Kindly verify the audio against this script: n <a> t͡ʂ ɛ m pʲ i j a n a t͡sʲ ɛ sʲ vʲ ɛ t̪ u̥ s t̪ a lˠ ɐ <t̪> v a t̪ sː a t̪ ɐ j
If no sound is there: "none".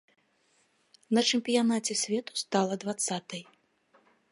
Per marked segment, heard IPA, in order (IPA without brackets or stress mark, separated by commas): ɐ, d̪